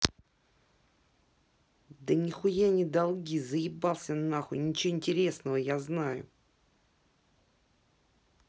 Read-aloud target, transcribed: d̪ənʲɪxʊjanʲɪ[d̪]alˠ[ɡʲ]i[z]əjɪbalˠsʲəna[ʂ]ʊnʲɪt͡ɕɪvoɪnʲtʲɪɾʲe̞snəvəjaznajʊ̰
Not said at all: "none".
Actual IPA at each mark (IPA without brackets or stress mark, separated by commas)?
d̪, ɡʲ, z, x